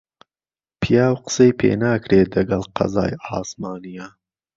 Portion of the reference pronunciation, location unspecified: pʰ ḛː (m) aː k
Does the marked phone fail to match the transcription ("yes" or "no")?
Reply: yes